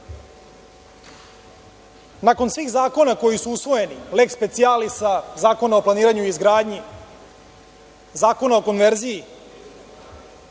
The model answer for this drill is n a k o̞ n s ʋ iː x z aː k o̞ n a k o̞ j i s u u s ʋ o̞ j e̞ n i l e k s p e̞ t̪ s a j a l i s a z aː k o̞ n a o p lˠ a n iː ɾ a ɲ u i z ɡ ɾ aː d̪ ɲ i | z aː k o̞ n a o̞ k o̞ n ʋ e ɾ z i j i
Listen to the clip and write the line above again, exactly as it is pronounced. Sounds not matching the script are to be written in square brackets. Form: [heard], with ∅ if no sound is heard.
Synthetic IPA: n a k o̞ n s ʋ iː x z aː k o̞ n a k o̞ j i s u u s ʋ o̞ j e̞ n i l e k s p e̞ t̪ s [i] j a l i s a z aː k o̞ n a o p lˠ a n iː ɾ a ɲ u i z ɡ ɾ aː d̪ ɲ i | z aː k o̞ n a o̞ k o̞ n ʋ e ɾ z i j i